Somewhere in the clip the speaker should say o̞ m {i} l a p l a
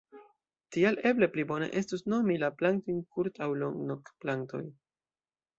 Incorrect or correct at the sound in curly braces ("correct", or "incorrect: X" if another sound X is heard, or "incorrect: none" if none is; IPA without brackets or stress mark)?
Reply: correct